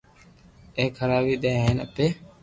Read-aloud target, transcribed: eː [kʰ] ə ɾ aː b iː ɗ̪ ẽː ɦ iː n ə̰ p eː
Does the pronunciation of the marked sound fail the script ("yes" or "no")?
no